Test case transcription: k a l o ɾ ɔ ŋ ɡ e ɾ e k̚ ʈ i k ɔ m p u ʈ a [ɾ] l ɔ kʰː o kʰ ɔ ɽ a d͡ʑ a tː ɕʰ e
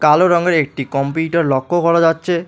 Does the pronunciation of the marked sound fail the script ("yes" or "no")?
no